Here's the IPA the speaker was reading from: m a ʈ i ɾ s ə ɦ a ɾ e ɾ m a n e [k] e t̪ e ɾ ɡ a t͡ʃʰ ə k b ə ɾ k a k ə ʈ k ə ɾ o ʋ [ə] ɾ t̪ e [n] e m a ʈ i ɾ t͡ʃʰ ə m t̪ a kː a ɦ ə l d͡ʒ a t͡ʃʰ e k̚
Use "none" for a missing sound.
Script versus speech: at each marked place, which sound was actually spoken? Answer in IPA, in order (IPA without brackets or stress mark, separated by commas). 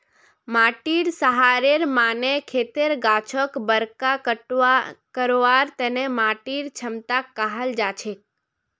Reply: kʰ, a, n